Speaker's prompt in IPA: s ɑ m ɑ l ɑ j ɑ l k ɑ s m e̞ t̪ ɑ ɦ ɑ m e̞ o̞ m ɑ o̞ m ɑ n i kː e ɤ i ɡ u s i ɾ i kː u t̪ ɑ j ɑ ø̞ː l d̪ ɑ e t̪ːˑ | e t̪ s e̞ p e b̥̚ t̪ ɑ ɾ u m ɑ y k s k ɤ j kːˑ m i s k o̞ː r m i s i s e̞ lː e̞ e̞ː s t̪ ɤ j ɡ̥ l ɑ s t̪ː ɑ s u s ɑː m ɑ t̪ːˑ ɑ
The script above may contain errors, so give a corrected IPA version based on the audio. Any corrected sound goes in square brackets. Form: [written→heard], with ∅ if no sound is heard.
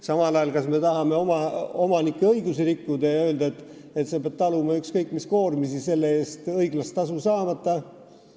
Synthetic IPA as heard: s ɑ m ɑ l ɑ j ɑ l k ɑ s m e̞ t̪ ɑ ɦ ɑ m e̞ o̞ m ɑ o̞ m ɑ n i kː e ɤ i ɡ u s i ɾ i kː u [t̪→d̪] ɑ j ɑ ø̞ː l d̪ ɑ e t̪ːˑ | e t̪ s e̞ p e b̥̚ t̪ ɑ [ɾ→l] u m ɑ y k s k ɤ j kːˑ m i s k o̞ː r m i s i s e̞ lː e̞ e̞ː s t̪ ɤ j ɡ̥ l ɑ s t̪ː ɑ s u s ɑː m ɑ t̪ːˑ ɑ